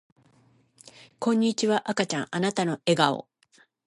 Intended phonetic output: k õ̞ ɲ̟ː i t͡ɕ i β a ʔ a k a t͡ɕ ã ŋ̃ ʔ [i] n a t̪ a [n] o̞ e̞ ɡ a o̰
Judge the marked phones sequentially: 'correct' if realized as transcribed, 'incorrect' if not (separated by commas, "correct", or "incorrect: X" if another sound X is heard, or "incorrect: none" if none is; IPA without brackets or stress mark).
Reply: incorrect: a, correct